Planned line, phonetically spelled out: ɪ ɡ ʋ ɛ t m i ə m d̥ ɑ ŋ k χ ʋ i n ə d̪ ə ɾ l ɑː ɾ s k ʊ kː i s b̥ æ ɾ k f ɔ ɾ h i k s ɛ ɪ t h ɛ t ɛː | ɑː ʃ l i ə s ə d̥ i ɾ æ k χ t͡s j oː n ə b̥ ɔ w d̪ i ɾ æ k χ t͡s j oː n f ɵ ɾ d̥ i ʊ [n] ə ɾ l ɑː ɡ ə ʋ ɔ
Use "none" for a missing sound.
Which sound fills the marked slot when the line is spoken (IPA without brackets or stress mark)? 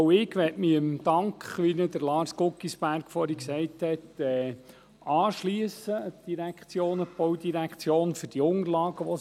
ŋ